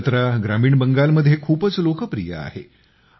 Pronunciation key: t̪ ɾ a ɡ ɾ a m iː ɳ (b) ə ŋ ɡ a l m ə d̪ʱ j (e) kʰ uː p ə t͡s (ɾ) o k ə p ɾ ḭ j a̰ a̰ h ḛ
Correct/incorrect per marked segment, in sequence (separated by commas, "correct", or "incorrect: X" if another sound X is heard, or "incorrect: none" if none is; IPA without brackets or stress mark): correct, correct, incorrect: l